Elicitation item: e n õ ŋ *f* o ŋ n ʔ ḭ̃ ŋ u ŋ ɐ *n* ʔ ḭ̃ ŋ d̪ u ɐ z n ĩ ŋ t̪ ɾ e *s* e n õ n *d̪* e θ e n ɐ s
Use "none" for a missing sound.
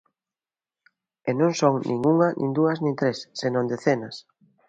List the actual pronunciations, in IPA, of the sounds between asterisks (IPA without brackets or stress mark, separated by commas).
s, n, sː, d̪